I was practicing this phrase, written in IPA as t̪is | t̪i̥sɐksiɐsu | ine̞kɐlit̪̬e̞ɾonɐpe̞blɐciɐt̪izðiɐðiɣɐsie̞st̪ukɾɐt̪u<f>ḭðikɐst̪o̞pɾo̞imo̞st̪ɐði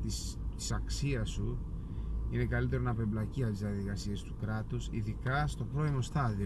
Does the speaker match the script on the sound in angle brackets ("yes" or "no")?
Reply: no